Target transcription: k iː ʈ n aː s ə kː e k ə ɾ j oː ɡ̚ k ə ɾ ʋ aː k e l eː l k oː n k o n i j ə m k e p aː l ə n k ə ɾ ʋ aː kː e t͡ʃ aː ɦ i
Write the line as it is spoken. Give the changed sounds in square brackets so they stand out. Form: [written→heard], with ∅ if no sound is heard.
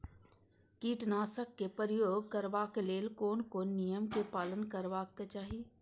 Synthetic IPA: k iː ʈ n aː s ə kː e [k→p] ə ɾ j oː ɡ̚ k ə ɾ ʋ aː k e l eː l k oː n k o n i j ə m k e p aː l ə n k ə ɾ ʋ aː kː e t͡ʃ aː ɦ i